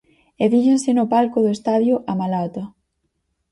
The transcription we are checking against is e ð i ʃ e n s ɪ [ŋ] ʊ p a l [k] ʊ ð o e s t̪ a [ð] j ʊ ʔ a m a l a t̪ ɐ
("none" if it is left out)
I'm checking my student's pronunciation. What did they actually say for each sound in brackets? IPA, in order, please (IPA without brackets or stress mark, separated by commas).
n, k, ð